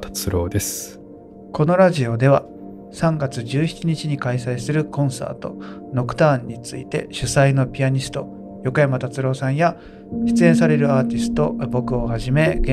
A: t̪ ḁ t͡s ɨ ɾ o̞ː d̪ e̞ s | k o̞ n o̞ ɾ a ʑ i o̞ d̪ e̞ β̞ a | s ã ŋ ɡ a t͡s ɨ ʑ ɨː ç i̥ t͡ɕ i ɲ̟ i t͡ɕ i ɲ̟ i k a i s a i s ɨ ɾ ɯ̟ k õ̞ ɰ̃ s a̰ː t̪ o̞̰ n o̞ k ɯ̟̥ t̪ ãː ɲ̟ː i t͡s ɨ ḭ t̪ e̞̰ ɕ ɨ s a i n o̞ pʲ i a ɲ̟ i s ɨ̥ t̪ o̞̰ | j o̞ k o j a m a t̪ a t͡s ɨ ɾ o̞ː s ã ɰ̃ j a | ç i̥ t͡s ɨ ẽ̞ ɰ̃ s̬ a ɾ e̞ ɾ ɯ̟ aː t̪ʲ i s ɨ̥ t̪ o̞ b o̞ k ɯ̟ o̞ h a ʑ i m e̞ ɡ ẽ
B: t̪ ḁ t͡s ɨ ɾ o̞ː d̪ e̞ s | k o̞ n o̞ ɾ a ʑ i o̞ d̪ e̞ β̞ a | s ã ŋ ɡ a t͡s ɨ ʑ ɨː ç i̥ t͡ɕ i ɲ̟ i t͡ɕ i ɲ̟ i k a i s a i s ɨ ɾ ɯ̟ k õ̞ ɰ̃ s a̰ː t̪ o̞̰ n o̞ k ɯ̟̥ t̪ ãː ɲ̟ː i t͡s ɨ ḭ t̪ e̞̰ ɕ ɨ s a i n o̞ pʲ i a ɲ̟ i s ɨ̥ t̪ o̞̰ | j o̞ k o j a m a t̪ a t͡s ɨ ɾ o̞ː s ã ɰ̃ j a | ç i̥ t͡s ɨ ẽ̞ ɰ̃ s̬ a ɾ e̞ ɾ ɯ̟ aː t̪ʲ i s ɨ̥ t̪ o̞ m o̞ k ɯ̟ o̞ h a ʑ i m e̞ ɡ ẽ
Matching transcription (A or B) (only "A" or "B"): A